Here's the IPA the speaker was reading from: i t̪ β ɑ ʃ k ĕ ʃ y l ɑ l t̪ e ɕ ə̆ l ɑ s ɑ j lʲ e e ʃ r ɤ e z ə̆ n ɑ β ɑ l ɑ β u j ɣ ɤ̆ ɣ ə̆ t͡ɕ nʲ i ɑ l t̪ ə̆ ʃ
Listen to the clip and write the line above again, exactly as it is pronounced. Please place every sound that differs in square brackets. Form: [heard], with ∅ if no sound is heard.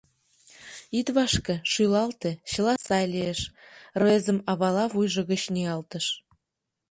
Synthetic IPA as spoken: i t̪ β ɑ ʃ k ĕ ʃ y l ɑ l t̪ e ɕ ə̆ l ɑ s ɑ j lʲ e e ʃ r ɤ e z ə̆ [m] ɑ β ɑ l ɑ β u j [ʒ] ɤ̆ ɣ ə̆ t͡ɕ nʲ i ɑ l t̪ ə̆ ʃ